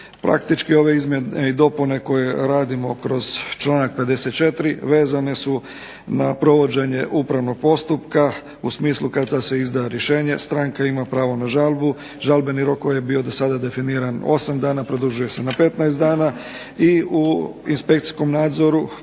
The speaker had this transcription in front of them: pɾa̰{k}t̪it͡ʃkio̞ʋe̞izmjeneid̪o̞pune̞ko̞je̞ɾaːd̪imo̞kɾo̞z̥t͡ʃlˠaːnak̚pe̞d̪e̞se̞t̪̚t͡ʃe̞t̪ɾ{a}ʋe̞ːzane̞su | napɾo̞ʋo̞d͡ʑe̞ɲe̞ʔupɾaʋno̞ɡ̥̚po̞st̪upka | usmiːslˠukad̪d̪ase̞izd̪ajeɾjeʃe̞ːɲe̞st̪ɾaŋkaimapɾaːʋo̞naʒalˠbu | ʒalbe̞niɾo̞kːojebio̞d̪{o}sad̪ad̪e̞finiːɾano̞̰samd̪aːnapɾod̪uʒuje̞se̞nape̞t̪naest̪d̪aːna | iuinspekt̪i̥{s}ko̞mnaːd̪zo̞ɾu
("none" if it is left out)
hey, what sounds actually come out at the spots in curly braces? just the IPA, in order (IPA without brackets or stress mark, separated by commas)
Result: k, i, o, s